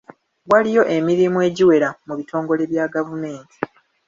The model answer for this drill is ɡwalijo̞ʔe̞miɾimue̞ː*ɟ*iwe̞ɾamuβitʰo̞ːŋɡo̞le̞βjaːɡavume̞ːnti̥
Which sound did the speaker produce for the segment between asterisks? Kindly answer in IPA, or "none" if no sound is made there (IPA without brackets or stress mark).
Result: ɟ